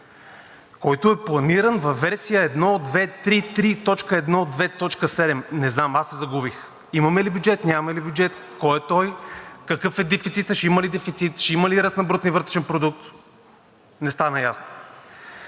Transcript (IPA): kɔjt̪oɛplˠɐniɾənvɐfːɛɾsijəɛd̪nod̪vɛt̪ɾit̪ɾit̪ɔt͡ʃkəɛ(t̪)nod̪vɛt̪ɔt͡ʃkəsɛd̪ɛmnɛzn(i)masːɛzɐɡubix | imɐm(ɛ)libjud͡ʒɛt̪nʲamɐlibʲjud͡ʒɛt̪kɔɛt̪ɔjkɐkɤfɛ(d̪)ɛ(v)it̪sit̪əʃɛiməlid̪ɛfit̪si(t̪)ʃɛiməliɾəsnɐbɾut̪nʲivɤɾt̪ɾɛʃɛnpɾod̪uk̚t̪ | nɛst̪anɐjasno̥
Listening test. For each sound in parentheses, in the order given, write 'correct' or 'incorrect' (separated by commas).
incorrect, incorrect, correct, correct, incorrect, correct